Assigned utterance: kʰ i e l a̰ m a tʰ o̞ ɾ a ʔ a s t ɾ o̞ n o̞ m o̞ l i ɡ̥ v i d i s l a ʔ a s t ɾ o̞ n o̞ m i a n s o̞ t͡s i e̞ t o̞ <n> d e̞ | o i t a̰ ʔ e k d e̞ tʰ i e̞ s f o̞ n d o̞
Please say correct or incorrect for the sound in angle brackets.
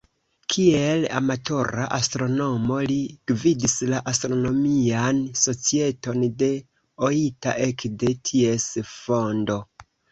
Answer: correct